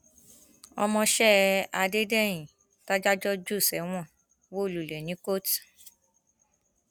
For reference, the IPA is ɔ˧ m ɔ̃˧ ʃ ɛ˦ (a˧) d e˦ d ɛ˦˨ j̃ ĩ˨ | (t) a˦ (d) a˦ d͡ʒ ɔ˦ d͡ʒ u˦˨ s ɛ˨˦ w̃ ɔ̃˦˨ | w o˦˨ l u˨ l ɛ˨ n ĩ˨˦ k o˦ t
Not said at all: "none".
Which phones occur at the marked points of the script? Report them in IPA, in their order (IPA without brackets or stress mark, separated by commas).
a˧, t, d͡ʒ